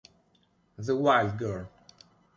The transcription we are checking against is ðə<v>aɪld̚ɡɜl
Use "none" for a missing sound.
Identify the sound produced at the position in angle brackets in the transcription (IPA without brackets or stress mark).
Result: w